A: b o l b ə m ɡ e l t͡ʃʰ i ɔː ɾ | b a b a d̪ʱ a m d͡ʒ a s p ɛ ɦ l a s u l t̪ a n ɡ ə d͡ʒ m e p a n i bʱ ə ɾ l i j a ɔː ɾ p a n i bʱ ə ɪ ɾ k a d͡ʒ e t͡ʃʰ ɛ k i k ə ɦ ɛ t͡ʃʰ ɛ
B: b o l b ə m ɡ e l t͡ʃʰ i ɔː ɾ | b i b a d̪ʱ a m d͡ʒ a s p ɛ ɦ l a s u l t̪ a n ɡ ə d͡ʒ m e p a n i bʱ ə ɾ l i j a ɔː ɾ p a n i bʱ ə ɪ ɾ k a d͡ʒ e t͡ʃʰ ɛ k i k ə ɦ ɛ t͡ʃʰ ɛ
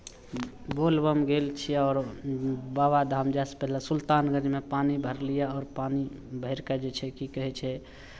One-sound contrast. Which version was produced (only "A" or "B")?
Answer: A